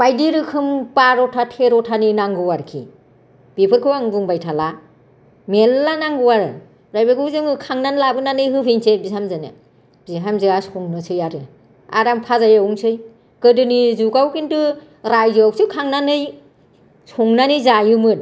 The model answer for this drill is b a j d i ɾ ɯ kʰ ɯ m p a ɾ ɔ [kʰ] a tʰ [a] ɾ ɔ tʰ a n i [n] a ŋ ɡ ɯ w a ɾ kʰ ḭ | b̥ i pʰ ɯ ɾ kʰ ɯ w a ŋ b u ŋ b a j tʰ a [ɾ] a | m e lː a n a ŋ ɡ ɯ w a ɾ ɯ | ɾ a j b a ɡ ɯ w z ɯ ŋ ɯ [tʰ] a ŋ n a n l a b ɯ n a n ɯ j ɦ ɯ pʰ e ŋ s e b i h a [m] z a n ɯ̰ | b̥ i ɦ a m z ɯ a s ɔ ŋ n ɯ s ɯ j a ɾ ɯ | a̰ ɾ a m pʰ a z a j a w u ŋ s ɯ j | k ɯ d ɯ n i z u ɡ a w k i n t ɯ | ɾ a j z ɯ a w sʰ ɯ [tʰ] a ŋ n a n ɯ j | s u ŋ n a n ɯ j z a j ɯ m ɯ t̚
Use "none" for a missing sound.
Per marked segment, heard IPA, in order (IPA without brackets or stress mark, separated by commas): tʰ, e, n, l, kʰ, m, kʰ